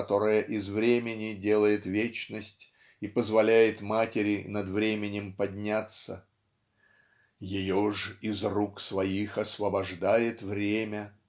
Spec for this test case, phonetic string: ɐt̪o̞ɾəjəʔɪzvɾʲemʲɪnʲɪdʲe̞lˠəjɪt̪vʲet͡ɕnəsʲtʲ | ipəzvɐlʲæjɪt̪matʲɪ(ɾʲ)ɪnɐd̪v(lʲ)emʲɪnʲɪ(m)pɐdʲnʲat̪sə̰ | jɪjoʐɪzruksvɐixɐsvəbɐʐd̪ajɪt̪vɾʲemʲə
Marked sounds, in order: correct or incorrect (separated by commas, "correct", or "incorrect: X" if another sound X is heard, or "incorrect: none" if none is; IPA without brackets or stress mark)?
correct, incorrect: ɾʲ, correct